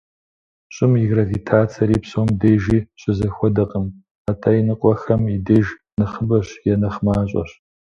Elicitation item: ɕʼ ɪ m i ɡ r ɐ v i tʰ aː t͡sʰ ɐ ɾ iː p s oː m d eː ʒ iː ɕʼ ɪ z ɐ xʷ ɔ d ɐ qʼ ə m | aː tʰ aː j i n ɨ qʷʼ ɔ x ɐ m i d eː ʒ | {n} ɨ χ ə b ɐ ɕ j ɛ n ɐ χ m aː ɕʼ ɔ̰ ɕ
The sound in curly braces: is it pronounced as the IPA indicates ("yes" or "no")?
yes